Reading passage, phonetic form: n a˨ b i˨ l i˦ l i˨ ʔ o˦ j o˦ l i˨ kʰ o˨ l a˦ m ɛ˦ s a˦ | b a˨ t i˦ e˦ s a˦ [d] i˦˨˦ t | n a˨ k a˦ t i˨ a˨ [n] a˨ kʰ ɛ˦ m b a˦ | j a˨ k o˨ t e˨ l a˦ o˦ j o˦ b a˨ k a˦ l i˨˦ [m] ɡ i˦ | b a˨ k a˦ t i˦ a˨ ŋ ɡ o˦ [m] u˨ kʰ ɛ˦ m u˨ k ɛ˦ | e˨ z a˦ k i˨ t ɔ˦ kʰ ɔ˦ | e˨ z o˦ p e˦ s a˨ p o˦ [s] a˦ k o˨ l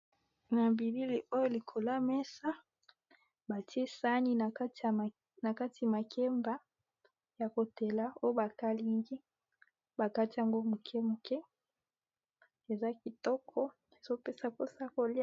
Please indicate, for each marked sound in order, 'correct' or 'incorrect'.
incorrect: n, incorrect: m, incorrect: ŋ, correct, correct

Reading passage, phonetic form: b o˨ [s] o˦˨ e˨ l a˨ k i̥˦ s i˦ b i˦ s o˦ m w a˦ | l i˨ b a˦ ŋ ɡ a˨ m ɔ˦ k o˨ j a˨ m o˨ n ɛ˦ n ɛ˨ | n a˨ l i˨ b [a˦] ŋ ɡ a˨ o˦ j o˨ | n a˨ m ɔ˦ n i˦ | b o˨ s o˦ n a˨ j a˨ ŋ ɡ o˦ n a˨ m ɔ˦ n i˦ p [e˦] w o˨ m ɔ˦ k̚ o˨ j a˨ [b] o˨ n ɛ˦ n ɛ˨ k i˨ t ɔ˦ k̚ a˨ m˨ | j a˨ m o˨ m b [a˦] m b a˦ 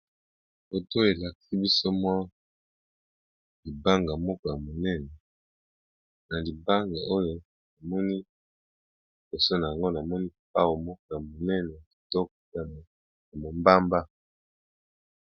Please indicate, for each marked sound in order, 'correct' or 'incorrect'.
incorrect: t, correct, incorrect: a˦, incorrect: m, correct

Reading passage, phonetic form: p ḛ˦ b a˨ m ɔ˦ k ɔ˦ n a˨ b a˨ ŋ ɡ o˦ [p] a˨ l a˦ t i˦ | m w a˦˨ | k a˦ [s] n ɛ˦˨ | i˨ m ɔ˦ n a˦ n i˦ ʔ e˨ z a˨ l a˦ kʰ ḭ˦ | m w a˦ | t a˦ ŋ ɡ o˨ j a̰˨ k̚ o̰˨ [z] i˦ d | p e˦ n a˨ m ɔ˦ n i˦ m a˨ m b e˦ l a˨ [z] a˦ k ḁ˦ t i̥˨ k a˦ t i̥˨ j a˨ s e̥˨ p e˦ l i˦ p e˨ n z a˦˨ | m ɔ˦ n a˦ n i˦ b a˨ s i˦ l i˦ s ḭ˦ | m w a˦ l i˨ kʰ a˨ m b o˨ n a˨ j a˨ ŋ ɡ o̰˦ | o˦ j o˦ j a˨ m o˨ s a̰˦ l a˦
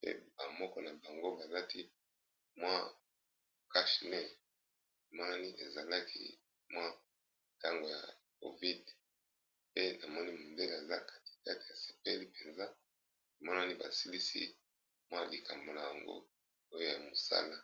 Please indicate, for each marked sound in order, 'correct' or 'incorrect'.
incorrect: b, incorrect: ʃ, incorrect: v, correct

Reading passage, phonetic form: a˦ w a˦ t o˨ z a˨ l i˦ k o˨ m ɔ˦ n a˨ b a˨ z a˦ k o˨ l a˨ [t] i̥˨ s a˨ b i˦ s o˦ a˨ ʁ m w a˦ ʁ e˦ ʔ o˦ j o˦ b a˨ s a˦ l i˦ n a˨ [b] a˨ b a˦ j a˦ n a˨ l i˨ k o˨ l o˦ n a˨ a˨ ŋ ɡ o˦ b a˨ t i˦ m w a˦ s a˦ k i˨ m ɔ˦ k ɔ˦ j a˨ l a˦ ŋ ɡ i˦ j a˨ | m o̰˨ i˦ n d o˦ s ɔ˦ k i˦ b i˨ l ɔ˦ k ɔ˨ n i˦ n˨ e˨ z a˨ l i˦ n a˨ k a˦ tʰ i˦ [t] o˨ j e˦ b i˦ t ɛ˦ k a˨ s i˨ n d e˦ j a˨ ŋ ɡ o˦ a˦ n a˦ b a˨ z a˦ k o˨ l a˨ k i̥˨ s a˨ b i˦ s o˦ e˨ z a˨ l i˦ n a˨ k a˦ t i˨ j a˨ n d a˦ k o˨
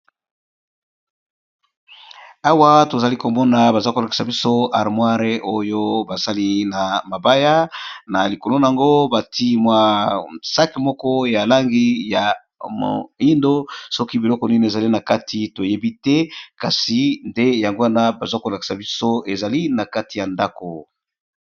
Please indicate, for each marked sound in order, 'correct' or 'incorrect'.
incorrect: k, incorrect: m, correct

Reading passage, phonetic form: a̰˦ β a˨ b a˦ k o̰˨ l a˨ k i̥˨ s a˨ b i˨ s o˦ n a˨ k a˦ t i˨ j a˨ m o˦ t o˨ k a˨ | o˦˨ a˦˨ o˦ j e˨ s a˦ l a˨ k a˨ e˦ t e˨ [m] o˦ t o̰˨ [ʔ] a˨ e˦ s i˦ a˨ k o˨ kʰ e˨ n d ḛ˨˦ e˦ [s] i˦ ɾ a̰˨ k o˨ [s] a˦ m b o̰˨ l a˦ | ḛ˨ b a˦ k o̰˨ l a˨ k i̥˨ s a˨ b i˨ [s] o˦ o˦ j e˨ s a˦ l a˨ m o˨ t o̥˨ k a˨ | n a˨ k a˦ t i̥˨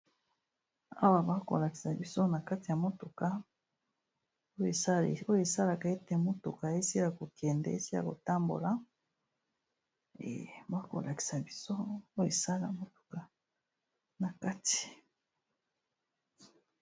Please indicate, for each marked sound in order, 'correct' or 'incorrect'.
correct, incorrect: k, correct, incorrect: t, correct

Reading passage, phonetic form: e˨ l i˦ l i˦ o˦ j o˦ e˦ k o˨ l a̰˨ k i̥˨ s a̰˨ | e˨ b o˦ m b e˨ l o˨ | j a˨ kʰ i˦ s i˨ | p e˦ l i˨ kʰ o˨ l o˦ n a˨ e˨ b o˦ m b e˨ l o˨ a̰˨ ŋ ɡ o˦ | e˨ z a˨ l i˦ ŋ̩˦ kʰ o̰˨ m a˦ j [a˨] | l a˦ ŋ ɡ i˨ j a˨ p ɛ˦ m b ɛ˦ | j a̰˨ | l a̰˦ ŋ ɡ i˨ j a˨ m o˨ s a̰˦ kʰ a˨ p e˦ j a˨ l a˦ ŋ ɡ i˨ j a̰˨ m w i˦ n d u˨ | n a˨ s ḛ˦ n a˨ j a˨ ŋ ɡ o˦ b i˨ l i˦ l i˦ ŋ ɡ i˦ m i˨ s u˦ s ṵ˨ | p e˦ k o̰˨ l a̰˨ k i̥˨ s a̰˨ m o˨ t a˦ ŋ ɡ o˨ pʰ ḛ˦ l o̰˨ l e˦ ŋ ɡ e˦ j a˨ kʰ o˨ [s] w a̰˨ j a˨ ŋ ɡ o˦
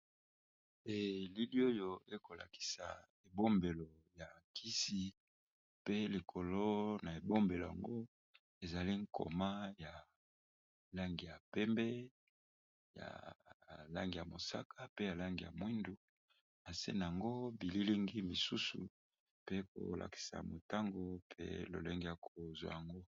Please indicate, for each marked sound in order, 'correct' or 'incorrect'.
correct, incorrect: z

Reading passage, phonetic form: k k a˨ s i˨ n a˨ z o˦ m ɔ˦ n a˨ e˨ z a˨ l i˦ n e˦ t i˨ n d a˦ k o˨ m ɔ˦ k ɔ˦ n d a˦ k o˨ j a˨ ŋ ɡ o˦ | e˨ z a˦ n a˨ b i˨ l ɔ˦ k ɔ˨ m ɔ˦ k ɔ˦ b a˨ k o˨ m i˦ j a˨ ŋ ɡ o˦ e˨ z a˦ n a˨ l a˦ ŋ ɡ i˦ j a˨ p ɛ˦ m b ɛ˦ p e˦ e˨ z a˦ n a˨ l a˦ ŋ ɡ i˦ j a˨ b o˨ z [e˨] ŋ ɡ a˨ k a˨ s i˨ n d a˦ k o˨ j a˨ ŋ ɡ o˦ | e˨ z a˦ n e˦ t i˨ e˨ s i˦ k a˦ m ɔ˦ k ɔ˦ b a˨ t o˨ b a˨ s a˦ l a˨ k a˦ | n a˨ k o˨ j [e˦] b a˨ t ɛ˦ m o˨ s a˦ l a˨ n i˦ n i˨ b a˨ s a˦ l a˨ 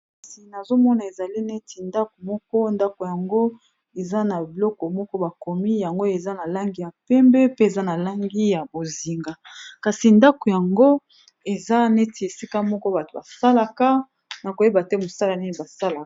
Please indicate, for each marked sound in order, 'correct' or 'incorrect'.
incorrect: i˨, correct

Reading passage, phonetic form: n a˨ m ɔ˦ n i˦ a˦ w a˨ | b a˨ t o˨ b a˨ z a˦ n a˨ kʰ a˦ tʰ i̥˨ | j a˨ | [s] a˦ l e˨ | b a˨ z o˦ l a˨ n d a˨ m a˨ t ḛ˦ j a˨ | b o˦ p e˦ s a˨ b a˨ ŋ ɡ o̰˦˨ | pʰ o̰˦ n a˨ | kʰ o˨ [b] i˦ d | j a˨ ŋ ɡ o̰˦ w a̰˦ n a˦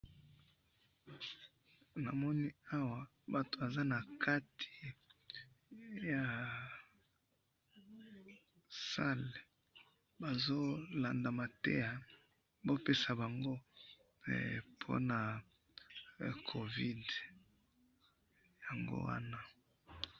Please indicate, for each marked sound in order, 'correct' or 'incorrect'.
correct, incorrect: v

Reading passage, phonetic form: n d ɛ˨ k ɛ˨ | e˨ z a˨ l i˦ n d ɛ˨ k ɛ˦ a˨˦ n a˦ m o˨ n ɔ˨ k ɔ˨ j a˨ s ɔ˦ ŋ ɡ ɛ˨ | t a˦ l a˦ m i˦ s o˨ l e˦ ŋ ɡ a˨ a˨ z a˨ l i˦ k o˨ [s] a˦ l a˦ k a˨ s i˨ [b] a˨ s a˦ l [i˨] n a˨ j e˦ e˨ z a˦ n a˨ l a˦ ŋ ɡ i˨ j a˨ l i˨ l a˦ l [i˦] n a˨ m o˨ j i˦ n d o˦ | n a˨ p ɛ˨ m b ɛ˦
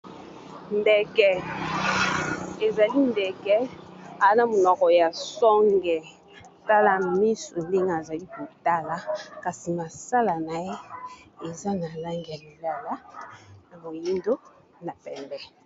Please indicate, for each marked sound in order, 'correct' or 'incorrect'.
incorrect: t, incorrect: m, incorrect: a˨, incorrect: a˦

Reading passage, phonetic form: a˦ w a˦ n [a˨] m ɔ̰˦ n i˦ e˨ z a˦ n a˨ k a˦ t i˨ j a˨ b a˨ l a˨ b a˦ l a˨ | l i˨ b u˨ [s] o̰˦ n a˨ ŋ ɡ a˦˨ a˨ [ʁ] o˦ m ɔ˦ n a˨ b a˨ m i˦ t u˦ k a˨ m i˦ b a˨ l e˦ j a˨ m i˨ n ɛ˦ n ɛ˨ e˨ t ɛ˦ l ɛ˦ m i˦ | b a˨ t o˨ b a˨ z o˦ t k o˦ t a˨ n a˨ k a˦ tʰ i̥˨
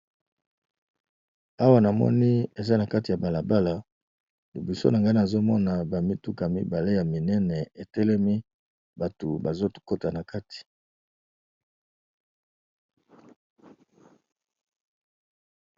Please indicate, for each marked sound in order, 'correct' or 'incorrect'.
correct, correct, incorrect: z

